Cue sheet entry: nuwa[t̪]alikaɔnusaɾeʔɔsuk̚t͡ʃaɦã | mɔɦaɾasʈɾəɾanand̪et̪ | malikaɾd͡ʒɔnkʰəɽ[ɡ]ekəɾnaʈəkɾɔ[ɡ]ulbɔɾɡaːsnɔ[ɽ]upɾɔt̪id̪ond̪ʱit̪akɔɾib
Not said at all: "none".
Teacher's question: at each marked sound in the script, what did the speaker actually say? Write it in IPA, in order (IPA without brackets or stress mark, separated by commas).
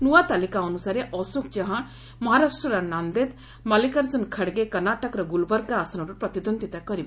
t̪, ɡ, ɡ, ɾ